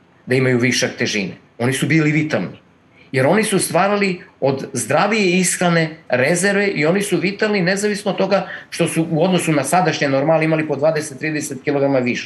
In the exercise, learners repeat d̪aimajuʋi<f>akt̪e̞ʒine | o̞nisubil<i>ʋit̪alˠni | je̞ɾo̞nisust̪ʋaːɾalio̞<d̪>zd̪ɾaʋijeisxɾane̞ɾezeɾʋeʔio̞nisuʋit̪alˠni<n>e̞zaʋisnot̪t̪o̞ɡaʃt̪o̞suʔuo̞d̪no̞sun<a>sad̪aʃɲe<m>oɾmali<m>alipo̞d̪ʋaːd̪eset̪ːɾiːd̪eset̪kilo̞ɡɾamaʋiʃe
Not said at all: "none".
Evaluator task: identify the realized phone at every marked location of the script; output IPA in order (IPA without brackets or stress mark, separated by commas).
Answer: ʃ, i, d̪, n, a, n, m